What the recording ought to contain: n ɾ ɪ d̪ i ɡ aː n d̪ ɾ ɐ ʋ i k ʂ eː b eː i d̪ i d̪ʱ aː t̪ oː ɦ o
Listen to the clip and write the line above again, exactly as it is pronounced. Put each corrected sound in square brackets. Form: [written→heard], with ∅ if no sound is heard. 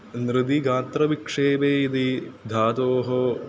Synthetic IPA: n ɾ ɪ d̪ i ɡ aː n [d̪→t̪] ɾ ɐ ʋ i k ʂ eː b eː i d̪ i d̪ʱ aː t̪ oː ɦ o